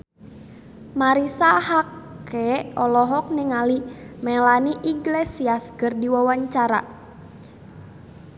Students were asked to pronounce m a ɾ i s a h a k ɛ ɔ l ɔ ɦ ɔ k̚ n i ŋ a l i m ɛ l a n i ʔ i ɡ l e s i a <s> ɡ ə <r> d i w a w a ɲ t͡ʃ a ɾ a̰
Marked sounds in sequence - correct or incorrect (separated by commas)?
correct, correct